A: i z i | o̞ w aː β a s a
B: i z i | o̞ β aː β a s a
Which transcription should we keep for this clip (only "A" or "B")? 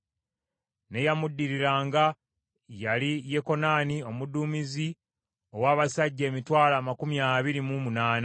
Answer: A